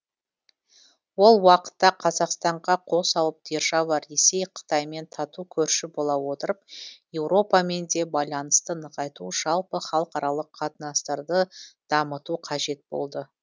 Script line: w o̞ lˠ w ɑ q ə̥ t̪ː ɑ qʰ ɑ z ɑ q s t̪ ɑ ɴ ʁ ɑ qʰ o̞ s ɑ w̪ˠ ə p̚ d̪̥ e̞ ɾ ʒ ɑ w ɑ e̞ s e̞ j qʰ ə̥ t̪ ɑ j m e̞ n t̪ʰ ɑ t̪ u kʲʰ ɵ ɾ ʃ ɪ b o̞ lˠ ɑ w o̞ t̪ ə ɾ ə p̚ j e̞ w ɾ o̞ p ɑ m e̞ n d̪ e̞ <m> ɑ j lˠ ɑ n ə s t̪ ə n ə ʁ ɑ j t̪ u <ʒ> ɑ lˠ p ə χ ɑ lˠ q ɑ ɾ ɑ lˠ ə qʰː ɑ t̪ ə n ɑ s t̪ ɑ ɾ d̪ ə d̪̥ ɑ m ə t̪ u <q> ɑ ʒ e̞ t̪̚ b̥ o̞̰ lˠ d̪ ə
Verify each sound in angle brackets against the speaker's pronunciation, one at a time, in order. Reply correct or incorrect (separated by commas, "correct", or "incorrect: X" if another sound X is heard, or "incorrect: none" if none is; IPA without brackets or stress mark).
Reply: incorrect: b, correct, incorrect: qʰ